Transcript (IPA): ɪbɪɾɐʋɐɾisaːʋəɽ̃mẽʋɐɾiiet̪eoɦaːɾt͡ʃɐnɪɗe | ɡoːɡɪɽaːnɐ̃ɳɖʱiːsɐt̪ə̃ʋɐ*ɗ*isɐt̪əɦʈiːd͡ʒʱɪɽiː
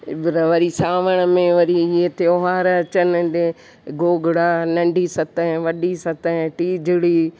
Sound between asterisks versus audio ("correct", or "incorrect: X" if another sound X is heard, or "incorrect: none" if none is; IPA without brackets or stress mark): correct